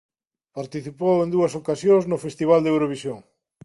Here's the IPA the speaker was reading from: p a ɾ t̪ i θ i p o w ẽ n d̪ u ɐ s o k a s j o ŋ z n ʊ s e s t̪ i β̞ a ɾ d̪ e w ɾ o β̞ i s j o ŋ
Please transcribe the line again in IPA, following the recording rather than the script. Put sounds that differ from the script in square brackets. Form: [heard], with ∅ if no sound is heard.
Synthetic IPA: p a ɾ t̪ i θ i p o w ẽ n d̪ u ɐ s o k a s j o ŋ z n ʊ [f] e s t̪ i β̞ a [l] d̪ e w ɾ o β̞ i s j o ŋ